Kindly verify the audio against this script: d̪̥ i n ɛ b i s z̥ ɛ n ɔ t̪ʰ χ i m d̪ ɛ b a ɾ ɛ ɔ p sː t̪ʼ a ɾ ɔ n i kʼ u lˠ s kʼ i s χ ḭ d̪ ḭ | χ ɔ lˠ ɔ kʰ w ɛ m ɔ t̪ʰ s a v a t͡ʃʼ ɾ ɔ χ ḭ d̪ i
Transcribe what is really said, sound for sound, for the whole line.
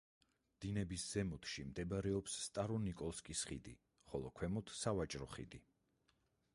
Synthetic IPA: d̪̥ i n ɛ b i s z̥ ɛ m ɔ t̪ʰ ʃ i m d̪ ɛ b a ɾ ɛ ɔ p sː t̪ʼ a ɾ ɔ n i kʼ ɔ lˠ s kʼ i s χ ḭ d̪ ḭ | χ ɔ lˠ ɔ kʰ w ɛ m ɔ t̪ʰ s a v a t͡ʃʼ ɾ ɔ χ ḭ d̪ i